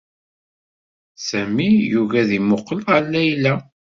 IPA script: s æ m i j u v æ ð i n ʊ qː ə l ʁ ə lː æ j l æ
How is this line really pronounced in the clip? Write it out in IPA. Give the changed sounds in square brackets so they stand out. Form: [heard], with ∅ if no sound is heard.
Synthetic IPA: s æ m i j u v æ ð i [m] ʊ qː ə l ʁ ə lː æ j l æ